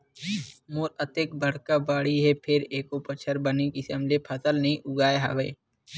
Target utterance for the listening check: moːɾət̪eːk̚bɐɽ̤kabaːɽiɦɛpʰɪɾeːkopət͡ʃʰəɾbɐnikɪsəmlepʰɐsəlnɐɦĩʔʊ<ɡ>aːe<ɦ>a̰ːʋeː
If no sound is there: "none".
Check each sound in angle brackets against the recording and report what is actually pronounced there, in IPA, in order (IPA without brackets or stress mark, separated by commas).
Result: ɡ, ɦ